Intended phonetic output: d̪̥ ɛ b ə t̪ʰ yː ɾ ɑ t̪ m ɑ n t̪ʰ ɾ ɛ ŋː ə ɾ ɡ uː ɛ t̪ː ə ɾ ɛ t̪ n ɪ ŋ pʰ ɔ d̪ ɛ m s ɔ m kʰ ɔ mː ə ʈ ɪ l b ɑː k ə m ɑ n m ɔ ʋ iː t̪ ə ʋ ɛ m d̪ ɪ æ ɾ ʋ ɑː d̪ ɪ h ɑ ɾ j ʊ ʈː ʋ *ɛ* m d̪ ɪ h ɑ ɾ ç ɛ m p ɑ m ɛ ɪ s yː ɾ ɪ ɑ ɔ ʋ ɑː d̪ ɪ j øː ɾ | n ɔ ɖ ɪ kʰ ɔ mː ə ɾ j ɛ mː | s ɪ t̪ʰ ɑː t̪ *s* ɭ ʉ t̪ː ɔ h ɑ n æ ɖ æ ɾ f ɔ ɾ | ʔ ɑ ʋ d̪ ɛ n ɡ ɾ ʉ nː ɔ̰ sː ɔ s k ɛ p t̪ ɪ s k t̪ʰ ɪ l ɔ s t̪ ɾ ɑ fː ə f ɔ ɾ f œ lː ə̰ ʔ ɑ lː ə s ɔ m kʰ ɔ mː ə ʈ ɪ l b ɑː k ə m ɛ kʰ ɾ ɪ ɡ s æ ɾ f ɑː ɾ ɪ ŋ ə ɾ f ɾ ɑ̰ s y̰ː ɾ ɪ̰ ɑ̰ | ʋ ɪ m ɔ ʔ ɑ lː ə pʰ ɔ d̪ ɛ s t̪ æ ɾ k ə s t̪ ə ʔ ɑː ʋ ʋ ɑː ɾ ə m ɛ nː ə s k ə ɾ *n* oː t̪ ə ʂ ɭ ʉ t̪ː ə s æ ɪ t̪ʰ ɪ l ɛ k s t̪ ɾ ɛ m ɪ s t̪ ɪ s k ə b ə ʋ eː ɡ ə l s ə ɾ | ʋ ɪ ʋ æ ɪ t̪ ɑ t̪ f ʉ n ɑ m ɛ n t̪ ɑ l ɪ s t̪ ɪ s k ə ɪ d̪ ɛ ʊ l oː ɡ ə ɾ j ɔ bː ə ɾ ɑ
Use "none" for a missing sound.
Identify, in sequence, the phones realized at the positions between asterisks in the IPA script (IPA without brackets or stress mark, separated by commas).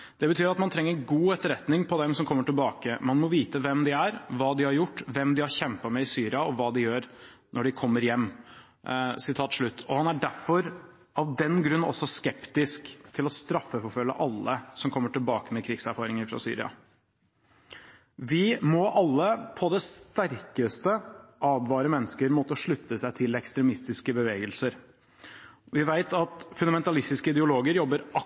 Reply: ɛ, ʂ, m